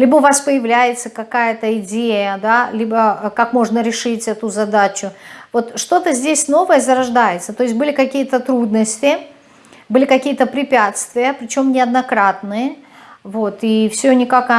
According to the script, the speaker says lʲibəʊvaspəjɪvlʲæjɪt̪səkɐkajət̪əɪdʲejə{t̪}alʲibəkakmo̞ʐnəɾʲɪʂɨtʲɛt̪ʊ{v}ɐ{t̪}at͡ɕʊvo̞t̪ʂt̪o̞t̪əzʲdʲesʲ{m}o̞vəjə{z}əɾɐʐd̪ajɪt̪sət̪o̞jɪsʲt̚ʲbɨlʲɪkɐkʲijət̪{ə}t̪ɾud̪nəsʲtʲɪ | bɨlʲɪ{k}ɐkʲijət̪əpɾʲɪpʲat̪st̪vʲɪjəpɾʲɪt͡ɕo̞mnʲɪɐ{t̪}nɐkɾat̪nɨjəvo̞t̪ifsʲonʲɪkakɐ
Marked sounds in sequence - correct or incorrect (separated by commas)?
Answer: incorrect, incorrect, incorrect, incorrect, correct, correct, correct, incorrect